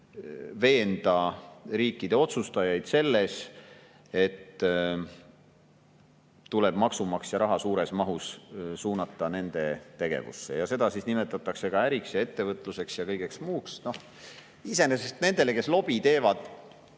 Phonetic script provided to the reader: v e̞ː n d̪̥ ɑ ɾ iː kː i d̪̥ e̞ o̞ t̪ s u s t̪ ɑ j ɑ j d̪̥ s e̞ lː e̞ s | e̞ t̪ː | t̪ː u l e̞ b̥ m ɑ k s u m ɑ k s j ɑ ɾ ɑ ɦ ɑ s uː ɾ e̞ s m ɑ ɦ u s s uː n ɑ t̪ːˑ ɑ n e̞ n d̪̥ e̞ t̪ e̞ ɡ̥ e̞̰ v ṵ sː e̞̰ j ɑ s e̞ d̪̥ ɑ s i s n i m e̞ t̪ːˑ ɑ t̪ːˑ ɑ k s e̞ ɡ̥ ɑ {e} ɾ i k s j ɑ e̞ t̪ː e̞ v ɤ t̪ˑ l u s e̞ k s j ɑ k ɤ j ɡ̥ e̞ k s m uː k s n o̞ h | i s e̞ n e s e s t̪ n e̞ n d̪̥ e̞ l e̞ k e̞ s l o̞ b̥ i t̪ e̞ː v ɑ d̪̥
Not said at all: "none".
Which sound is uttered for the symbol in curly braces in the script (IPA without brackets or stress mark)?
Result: æ